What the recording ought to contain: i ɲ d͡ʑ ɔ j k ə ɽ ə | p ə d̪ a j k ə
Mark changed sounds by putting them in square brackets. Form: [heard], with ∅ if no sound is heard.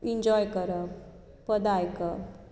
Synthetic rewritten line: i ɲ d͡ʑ ɔ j k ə [ɾ] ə | p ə d̪ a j k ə